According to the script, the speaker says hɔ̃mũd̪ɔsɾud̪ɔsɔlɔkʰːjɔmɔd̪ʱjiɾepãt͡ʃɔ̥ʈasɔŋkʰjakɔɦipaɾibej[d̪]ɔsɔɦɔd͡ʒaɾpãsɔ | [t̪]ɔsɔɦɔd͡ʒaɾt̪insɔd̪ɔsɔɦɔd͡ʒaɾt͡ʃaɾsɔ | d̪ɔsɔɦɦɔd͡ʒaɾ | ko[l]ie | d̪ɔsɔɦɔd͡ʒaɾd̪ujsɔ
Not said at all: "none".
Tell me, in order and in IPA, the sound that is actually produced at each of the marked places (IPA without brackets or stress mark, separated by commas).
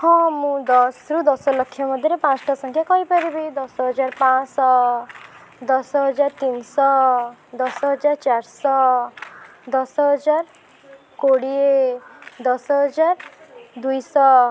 d̪, d̪, ɽ